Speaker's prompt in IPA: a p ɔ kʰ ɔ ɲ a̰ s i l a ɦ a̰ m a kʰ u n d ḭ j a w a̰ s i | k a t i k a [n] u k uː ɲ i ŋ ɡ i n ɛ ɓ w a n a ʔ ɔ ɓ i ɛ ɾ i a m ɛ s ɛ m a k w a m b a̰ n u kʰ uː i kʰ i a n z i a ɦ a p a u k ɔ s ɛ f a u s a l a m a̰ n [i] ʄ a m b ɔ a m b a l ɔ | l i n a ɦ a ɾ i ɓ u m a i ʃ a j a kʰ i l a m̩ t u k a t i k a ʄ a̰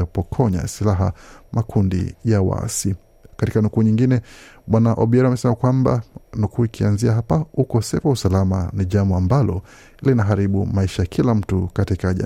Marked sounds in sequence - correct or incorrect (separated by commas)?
correct, correct